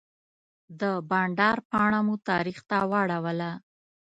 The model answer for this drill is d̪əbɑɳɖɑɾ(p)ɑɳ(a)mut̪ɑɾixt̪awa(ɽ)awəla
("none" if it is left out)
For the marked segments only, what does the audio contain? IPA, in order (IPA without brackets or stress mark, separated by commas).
p, a, ɽ